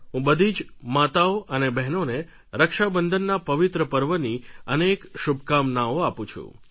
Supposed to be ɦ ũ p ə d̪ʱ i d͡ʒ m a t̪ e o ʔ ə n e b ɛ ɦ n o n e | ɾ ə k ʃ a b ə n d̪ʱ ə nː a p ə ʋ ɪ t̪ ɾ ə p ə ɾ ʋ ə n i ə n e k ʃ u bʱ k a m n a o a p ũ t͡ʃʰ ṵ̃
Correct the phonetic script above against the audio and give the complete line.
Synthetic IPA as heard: ɦ ũ b ə d̪ʱ i d͡ʒ m a t̪ a o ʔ ə n e b ɛ ɦ n o n e | ɾ ə k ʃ a b ə n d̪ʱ ə nː a p ə ʋ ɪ t̪ ɾ ə p ə ɾ ʋ ə n i ə n e k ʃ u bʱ k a m n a o a p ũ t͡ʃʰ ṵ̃